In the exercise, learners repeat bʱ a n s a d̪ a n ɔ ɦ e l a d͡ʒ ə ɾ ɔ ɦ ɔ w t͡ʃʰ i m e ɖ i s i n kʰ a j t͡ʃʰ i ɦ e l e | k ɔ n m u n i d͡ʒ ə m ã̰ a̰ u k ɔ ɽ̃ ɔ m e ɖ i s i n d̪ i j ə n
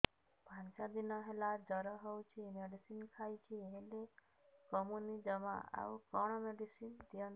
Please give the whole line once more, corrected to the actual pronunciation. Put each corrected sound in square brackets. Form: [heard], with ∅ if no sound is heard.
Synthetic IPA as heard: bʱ a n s a d̪ [i] n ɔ ɦ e l a d͡ʒ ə ɾ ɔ ɦ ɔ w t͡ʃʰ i m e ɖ i s i n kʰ a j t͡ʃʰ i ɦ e l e | k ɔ [∅] m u n i d͡ʒ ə m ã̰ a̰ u k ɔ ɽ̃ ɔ m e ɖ i s i n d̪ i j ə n